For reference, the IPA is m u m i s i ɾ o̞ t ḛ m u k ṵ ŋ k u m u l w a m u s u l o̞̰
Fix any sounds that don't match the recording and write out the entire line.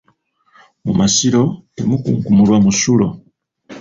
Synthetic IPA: m u m a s i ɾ o̞ t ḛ m u k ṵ ŋ k u m u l w a m u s u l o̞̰